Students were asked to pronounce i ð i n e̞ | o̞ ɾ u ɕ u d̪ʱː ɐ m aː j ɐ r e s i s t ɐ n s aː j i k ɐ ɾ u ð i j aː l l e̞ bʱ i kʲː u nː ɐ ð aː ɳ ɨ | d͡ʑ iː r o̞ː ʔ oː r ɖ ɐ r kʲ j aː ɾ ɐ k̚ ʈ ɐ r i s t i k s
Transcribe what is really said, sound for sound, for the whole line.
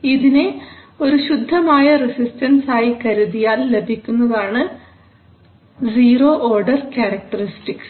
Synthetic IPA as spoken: i ð i n e̞ | o̞ ɾ u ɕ u d̪ʱː ɐ m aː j ɐ r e s i s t ɐ n s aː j i k ɐ ɾ u ð i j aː l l e̞ bʱ i kʲː u nː ɐ ð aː ɳ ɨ | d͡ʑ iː r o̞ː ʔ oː r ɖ ɐ r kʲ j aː ɾ ɐ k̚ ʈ ɐ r i s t i k s

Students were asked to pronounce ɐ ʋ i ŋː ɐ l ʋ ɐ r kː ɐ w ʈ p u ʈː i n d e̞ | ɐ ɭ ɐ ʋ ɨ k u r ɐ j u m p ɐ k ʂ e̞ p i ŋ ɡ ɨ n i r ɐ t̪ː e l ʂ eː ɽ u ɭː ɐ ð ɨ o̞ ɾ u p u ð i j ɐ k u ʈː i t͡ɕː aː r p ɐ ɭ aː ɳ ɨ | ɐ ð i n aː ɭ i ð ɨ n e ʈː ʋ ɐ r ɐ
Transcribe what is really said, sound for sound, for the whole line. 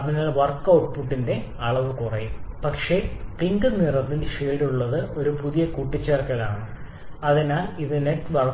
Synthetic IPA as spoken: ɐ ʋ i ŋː ɐ ɭ ʋ ɐ r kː ɐ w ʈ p u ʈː i n d e̞ | ɐ ɭ ɐ ʋ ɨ k u r ɐ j u m p ɐ k ʂ e̞ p i ŋ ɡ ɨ n i r ɐ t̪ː i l ʂ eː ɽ u ɭː ɐ ð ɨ o̞ ɾ u p u ð i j ɐ k u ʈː i t͡ɕː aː r k ɐ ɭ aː ɳ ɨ | ɐ ð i n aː l i ð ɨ n e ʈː ʋ ɐ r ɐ

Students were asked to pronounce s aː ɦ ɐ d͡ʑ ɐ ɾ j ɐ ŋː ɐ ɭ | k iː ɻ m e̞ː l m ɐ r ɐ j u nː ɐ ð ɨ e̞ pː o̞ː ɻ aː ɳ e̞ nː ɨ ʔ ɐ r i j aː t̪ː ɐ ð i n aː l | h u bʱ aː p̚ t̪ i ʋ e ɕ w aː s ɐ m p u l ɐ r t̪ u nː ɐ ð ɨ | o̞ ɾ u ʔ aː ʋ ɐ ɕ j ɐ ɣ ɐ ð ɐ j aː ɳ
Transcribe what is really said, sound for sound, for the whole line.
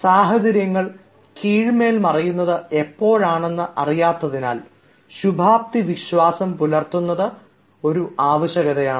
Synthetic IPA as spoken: s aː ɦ ɐ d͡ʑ ɐ ɾ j ɐ ŋː ɐ ɭ | k iː ɻ m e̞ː l m ɐ r ɐ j u nː ɐ ð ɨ e̞ pː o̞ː ɻ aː ɳ e̞ nː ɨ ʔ ɐ r i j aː t̪ː ɐ ð i n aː l | ɕ u bʱ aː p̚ t̪ i ʋ i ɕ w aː s ɐ m p u l ɐ r t̪ u nː ɐ ð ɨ | o̞ ɾ u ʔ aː ʋ ɐ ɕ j ɐ ɣ ɐ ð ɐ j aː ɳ

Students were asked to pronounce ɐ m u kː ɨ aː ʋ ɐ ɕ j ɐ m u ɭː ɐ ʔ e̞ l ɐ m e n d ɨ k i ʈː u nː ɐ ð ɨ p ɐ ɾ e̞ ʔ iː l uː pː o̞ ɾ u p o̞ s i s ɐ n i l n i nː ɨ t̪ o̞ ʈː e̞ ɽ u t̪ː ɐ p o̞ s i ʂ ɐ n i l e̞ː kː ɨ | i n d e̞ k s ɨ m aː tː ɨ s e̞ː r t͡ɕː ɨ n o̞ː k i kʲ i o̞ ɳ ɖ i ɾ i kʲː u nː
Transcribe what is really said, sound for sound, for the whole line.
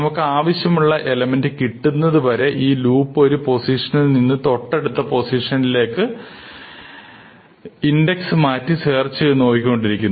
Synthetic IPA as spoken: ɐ m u kː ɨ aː ʋ ɐ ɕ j ɐ m u ɭː ɐ ʔ e̞ l ɐ m e n d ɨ k i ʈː u nː ɐ ð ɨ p ɐ ɾ e̞ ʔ iː l uː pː o̞ ɾ u p o̞ s i ʂ ɐ n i l n i nː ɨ t̪ o̞ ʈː e̞ ɽ u t̪ː ɐ p o̞ s i ʂ ɐ n i l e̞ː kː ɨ | i n d e̞ k s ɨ m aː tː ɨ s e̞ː r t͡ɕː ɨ n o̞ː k i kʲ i o̞ ɳ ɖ i ɾ i kʲː u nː

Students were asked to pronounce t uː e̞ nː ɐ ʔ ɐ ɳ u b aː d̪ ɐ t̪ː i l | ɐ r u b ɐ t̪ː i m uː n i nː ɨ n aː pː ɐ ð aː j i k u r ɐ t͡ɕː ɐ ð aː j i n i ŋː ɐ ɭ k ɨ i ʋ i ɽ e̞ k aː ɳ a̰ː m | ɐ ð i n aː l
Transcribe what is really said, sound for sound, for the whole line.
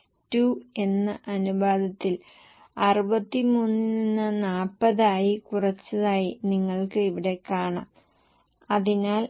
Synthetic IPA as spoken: t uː e̞ nː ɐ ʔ ɐ n u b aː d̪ ɐ t̪ː i l | ɐ r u b ɐ t̪ː i m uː n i nː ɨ n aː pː ɐ ð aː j i k u r ɐ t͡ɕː ɐ ð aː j i n i ŋː ɐ ɭ k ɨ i ʋ i ɽ e̞ k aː ɳ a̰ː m | ɐ ð i n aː l

